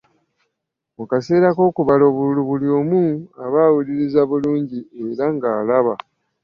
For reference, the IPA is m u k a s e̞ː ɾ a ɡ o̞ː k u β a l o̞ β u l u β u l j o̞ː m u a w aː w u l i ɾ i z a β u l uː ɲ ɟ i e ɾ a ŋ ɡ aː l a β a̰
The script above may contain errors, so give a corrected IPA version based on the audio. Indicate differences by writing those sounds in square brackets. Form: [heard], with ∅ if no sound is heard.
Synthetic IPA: m u k a s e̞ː ɾ a [k] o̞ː k u β a l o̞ β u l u β u l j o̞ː m u a [β] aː w u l i ɾ i z a β u l uː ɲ ɟ i e ɾ a ŋ ɡ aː l a β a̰